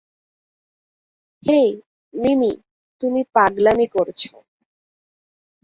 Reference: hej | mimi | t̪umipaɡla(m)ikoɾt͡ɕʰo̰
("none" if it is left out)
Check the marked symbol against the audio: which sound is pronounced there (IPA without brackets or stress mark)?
m